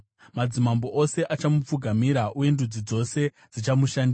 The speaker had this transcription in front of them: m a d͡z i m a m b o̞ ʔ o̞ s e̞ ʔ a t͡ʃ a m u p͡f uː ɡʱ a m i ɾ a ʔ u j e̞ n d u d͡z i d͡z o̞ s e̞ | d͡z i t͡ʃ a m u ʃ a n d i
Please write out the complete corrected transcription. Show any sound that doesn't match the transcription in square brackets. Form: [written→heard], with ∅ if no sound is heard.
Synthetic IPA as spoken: m a d͡z i m a m b o̞ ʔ o̞ s e̞ ʔ a t͡ʃ a m u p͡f [uː→u] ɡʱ a m i ɾ a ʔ u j e̞ n d u d͡z i d͡z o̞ s e̞ | d͡z i t͡ʃ a m u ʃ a n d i